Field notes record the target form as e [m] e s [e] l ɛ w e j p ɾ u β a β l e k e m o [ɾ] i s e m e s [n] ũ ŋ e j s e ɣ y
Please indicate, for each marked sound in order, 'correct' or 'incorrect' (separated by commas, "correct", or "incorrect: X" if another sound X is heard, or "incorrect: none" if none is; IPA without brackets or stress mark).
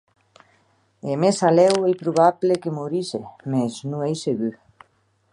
correct, incorrect: a, correct, correct